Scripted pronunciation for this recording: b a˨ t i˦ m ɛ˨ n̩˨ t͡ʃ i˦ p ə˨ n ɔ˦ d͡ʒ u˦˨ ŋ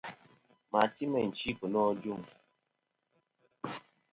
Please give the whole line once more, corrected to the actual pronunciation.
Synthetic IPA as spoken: m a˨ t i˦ m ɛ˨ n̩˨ t͡ʃ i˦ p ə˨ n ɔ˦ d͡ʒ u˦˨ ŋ

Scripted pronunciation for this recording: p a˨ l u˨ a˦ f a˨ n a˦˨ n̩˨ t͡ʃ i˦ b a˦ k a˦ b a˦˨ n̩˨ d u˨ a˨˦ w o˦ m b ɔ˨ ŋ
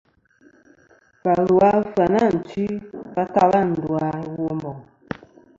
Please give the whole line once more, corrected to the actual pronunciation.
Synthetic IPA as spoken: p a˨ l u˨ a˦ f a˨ n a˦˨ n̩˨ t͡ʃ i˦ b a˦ k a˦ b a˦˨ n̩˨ d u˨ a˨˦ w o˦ m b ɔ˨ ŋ

